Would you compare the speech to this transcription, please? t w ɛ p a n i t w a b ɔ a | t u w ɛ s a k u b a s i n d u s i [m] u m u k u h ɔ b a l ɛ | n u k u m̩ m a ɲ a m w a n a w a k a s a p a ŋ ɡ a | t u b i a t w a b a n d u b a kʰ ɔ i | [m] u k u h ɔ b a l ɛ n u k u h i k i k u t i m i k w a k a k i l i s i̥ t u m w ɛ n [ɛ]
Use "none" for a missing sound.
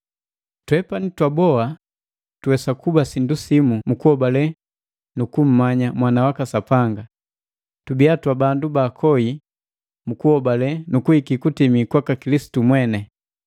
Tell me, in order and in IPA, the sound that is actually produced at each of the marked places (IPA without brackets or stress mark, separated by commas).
m, m, ɛ